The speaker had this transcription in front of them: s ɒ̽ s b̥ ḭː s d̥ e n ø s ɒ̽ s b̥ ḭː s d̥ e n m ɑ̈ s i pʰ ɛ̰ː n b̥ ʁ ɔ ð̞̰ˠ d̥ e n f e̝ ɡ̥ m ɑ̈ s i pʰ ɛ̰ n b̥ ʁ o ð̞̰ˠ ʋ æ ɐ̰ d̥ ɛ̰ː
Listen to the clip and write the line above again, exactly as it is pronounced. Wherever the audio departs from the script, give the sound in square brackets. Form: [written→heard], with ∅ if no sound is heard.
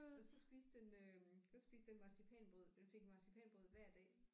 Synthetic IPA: s ɒ̽ s b̥ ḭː s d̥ e n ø s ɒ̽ s b̥ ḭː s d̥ e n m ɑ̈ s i pʰ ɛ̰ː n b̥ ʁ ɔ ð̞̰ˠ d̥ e n f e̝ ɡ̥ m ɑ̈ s i pʰ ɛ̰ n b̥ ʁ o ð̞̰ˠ ʋ æ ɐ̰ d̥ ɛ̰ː